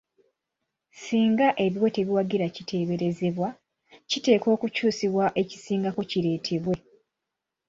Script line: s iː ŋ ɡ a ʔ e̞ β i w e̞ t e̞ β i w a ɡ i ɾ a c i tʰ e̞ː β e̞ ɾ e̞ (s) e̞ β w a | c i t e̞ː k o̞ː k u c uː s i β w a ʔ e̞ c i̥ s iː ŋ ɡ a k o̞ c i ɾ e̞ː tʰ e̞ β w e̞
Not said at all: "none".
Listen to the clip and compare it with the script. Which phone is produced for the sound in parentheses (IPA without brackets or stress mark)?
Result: z